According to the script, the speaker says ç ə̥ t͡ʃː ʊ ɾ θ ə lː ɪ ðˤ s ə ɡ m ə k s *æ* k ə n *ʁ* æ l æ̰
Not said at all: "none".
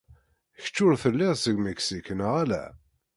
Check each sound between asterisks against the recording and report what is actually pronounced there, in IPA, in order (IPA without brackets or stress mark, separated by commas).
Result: i, ʁ